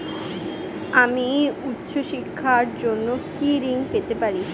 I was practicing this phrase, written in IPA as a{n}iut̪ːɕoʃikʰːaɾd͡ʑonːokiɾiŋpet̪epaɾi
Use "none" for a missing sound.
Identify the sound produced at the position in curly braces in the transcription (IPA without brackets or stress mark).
m